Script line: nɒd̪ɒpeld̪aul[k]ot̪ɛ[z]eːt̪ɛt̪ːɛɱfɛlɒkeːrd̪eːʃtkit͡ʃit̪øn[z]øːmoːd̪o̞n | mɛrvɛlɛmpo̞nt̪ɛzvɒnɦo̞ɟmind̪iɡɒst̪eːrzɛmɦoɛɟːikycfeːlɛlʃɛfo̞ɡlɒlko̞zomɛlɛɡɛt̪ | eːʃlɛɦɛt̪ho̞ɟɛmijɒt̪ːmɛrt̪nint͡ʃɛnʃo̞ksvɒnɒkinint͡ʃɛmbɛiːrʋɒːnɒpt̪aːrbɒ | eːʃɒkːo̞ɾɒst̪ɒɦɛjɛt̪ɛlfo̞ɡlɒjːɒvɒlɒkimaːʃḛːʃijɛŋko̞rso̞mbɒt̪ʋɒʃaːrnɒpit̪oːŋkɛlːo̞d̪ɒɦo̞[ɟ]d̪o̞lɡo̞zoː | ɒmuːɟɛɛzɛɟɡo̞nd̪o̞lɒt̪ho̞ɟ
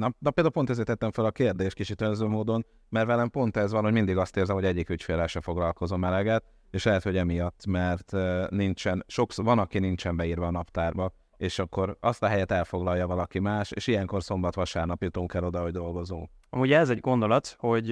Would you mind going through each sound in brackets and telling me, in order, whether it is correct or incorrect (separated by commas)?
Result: incorrect, correct, correct, correct